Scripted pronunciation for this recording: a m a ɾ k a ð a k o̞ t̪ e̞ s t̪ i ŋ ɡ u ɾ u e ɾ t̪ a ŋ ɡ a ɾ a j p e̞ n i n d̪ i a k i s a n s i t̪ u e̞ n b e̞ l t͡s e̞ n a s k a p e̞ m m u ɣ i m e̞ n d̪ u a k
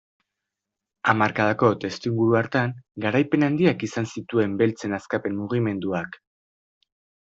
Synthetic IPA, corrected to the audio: a m a ɾ k a ð a k o̞ t̪ e̞ s t̪ i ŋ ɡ u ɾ u a ɾ t̪ a ŋ ɡ a ɾ a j p e̞ n a n d̪ i a k i s a n s i t̪ u e̞ m b e̞ l t͡s e̞ n a s k a p e̞ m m u ɣ i m e̞ n d̪ u a k